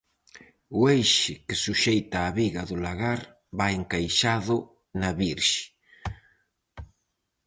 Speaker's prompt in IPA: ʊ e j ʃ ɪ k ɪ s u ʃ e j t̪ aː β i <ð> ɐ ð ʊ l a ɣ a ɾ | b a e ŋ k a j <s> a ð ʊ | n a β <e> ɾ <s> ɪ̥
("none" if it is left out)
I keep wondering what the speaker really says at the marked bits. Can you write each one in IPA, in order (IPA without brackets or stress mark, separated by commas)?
ɣ, ʃ, i, ʃ